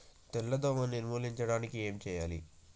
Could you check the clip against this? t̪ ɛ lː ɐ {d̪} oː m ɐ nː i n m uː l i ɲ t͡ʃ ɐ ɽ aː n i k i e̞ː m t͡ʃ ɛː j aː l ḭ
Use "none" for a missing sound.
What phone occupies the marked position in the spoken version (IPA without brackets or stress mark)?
d̪